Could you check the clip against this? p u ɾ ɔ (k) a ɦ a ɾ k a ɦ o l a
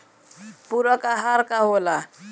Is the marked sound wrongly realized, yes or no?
no